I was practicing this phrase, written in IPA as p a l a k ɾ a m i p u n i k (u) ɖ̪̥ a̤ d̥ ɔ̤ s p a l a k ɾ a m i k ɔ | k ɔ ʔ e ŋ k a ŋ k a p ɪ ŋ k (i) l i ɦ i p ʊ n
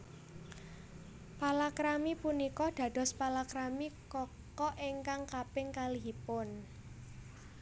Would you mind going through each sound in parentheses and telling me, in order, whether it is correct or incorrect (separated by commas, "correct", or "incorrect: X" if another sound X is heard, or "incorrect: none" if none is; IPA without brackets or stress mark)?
incorrect: ɔ, incorrect: a